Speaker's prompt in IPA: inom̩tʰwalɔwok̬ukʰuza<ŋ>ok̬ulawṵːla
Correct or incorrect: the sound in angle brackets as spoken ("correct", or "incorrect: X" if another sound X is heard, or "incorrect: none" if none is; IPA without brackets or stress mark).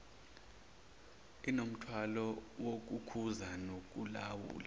incorrect: n